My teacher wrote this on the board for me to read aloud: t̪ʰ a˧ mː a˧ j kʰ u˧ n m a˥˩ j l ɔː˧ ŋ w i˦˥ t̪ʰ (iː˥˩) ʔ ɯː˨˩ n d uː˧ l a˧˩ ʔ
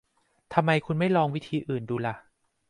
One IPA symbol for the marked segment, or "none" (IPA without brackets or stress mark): iː˧